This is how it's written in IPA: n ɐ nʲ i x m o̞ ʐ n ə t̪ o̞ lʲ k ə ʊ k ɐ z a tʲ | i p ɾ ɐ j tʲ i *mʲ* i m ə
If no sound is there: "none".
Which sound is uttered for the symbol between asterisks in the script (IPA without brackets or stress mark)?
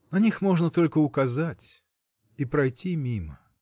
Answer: mʲ